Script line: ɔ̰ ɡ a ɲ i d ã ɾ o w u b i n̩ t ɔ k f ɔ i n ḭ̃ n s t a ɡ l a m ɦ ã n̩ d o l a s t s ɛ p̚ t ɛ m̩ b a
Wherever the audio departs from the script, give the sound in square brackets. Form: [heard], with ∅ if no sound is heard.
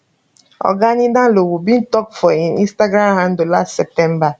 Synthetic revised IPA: ɔ̰ ɡ a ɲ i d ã [l] o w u b i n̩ t ɔ k f ɔ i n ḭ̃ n s t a ɡ [ɾ] a m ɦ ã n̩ d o l a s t s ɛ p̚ t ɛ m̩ b a